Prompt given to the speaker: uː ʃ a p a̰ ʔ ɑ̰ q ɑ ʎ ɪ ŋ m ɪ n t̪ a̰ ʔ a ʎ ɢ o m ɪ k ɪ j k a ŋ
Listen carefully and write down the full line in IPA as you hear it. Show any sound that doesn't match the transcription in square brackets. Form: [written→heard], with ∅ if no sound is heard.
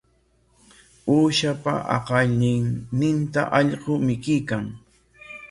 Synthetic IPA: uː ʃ a p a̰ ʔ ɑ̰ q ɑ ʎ ɪ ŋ [m→n] ɪ n t̪ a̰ ʔ [a→ɑ] ʎ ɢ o m ɪ k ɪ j k a ŋ